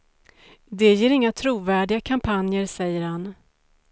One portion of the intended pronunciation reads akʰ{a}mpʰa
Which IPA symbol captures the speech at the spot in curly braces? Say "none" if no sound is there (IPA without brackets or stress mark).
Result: a